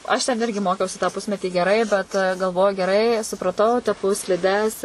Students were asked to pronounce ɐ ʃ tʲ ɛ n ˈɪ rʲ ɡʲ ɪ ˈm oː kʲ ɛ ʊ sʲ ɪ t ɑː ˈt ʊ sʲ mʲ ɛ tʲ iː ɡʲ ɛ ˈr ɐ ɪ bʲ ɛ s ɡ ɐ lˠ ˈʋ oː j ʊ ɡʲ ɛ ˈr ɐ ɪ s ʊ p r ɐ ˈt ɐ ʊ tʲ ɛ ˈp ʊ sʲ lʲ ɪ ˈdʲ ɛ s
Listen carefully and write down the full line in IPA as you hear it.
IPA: ɐ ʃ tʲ ɛ n ˈɪ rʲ ɡʲ ɪ ˈm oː kʲ ɛ ʊ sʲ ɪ t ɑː ˈp ʊ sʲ mʲ ɛ tʲ iː ɡʲ ɛ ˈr ɐ ɪ bʲ ɛ t ɡ ɐ lˠ ˈʋ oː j ʊ ɡʲ ɛ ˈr ɐ ɪ s ʊ p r ɐ ˈt ɐ ʊ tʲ ɛ ˈp ʊ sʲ lʲ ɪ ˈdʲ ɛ s